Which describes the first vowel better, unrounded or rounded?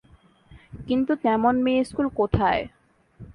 unrounded